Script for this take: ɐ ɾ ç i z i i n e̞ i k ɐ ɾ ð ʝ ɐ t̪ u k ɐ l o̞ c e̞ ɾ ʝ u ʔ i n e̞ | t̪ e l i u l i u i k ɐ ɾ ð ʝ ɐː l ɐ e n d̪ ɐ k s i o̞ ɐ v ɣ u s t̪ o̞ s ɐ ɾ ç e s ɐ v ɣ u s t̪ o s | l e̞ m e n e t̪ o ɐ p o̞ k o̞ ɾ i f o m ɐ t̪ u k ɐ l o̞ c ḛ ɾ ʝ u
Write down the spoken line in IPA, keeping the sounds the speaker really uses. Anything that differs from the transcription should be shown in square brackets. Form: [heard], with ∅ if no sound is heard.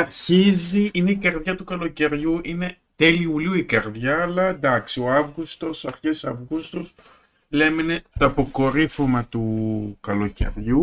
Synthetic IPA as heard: ɐ ɾ ç i z i i n e̞ i k ɐ ɾ ð ʝ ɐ t̪ u k ɐ l o̞ c e̞ ɾ ʝ u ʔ i n e̞ | t̪ e l i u l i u i k ɐ ɾ ð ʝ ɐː l ɐ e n d̪ ɐ k s i o̞ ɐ v ɣ u s t̪ o̞ s ɐ ɾ ç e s ɐ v ɣ u s t̪ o s | l e̞ m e n e t̪ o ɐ p o̞ k o̞ ɾ i f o m ɐ t̪ u k ɐ l o̞ c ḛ ɾ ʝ u